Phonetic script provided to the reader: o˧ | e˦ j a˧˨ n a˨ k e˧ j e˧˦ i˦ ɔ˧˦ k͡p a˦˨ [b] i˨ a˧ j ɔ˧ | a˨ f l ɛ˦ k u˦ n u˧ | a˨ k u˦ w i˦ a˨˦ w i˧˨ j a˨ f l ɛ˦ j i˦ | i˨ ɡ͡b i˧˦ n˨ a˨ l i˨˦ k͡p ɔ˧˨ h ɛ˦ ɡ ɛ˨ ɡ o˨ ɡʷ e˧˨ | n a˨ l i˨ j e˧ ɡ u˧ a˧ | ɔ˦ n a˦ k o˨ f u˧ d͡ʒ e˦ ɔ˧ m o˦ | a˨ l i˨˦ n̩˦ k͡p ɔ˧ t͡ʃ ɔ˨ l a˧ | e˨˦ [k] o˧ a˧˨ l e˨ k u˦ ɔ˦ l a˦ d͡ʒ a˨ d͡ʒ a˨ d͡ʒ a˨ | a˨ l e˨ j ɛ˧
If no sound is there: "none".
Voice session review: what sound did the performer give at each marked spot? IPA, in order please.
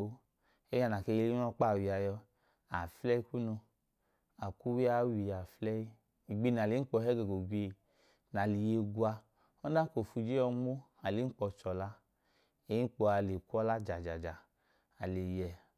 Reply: w, k͡p

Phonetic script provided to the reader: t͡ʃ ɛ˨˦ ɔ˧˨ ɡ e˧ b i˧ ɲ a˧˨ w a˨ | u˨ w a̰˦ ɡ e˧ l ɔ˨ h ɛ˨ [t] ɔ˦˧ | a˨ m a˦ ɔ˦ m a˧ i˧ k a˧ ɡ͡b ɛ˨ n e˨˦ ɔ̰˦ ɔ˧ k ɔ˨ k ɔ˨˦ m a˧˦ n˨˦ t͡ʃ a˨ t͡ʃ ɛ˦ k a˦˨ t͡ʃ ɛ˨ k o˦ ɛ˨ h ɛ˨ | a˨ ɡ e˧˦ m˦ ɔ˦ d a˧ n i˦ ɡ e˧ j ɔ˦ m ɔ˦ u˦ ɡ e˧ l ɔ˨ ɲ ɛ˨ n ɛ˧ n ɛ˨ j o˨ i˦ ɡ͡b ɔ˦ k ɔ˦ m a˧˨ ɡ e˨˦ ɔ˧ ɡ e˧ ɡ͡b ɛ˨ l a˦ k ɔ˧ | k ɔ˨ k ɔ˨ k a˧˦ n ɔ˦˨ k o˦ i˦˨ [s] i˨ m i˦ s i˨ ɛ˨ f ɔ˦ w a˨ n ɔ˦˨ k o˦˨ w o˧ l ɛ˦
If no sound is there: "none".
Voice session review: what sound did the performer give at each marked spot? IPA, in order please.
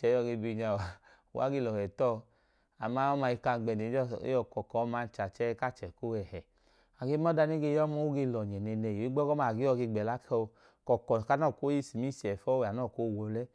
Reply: t, s

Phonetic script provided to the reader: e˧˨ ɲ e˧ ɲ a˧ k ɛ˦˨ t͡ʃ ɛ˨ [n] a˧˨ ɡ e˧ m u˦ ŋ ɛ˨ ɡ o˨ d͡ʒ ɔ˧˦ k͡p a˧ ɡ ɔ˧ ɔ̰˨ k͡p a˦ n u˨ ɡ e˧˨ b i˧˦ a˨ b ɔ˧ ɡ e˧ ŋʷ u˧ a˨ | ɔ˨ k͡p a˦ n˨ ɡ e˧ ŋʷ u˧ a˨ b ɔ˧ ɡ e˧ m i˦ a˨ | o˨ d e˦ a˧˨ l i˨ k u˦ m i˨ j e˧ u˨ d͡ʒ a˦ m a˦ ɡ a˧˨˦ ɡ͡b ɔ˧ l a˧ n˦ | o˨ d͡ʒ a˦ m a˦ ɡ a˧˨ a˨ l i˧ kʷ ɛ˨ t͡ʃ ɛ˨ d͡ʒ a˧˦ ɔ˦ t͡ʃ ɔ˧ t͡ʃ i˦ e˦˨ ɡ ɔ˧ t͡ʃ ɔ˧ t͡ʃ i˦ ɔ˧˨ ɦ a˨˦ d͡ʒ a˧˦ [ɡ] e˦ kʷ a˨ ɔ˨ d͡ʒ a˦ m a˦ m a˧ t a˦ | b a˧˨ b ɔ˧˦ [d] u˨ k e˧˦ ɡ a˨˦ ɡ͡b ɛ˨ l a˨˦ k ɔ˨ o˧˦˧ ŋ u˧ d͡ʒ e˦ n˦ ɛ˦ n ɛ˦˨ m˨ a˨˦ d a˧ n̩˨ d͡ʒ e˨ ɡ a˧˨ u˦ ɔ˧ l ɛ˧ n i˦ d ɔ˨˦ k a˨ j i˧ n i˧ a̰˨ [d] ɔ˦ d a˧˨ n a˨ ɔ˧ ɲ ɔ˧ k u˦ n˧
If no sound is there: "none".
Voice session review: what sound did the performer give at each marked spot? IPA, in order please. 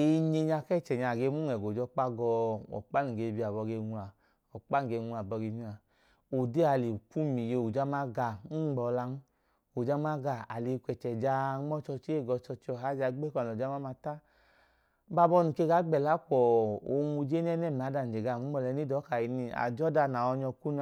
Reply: ɲ, ɡ͡b, n, d͡ʒ

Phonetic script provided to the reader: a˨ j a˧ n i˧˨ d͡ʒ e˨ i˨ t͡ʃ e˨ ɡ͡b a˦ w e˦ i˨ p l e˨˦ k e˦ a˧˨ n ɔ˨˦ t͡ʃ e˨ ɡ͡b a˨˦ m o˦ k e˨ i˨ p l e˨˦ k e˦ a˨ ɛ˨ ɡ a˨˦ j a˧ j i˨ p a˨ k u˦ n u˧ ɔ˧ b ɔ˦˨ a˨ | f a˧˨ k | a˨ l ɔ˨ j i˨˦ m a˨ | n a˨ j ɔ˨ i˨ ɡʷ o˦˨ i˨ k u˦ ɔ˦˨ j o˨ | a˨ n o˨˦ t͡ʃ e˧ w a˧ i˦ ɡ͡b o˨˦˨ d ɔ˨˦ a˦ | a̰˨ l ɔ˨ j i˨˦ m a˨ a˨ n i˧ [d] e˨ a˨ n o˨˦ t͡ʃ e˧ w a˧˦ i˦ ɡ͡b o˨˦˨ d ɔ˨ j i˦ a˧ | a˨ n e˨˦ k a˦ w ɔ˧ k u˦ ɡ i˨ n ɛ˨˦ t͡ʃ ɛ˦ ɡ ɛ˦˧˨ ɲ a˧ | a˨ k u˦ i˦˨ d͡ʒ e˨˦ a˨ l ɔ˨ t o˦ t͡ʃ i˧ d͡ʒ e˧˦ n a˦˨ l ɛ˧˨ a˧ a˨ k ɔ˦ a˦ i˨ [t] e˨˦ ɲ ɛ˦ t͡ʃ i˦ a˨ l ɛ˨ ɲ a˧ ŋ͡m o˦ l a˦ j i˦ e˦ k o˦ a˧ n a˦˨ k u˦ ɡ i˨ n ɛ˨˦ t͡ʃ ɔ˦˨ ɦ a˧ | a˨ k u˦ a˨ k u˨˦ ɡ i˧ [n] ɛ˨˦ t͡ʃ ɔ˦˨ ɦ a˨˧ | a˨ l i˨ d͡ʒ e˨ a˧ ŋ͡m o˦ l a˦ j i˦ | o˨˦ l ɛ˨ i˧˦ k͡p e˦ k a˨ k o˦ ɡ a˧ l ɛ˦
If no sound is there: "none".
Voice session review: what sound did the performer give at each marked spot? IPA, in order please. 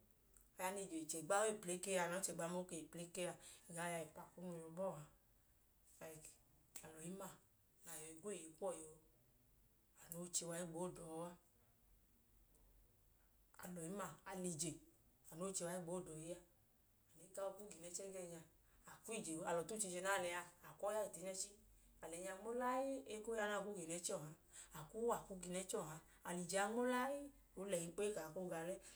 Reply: d͡ʒ, t, n

